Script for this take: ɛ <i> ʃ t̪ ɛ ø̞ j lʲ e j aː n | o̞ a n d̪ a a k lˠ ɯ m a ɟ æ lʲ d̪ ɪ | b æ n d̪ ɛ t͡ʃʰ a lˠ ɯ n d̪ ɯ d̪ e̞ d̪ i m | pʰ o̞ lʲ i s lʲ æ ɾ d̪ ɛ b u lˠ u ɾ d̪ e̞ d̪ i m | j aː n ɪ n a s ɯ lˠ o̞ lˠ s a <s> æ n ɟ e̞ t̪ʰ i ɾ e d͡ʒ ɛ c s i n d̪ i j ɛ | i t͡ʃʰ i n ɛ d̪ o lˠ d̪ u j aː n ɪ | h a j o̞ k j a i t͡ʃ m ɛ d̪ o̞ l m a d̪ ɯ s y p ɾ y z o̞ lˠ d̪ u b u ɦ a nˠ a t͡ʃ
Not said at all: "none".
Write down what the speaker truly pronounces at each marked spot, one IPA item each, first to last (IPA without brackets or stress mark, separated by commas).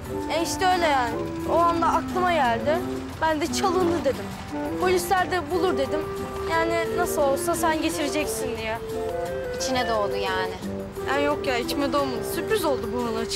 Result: i, s